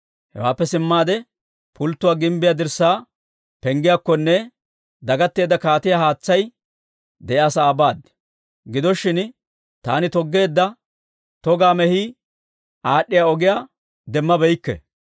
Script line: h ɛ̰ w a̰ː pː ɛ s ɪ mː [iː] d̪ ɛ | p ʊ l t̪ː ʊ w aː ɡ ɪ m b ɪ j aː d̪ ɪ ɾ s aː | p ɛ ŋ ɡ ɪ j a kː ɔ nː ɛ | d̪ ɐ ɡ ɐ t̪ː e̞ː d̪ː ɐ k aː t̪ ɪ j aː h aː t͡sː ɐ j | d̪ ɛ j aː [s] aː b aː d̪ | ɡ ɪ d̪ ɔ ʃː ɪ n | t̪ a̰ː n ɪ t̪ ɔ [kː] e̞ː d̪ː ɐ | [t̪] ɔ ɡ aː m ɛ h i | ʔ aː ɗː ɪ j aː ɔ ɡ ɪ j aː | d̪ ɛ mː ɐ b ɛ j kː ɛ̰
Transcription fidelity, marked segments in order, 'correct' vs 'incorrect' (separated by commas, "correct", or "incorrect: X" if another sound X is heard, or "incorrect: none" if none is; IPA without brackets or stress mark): incorrect: aː, correct, incorrect: ɡː, correct